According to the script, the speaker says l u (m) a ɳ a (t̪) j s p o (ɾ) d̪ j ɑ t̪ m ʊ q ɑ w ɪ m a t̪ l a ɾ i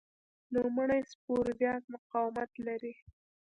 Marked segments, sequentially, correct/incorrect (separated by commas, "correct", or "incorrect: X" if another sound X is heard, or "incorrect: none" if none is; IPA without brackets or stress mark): correct, incorrect: none, correct